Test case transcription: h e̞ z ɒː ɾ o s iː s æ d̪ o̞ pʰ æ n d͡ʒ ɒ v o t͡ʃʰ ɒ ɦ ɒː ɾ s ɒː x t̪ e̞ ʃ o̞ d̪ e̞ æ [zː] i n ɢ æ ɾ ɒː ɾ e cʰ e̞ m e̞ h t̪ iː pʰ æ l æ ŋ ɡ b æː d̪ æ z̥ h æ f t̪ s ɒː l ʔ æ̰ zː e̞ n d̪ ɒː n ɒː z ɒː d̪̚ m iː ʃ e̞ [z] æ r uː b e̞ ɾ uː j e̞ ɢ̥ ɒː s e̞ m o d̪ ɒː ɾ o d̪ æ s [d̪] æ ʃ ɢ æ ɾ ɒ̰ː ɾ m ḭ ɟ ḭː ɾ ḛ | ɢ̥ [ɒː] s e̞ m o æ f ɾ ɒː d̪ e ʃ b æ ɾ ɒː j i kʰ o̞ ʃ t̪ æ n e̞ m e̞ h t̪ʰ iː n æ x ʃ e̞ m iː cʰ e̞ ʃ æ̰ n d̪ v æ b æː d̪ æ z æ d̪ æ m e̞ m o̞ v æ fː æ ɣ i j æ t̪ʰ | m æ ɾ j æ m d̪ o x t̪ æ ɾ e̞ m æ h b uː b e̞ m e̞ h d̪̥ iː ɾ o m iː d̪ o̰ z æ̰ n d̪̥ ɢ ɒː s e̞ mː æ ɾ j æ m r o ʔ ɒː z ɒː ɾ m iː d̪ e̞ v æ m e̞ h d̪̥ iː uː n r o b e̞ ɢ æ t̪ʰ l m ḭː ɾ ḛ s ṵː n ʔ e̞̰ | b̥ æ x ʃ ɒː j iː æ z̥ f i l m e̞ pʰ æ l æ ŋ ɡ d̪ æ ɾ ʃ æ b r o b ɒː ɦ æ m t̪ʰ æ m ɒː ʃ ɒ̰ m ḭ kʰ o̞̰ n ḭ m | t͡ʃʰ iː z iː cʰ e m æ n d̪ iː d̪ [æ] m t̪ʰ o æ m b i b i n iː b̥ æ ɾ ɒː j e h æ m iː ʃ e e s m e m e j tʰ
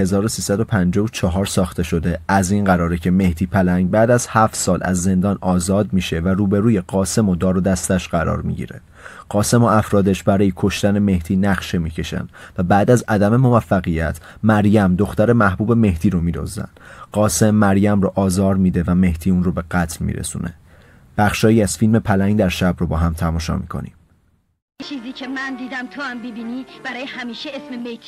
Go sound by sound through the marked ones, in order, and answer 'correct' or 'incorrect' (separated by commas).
incorrect, incorrect, incorrect, correct, correct